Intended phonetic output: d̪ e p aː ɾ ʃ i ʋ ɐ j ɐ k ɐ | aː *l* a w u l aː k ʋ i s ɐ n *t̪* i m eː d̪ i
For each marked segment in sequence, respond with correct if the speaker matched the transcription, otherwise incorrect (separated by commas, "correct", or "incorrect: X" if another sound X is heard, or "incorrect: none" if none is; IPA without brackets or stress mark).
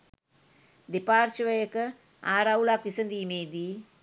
incorrect: ɾ, incorrect: d̪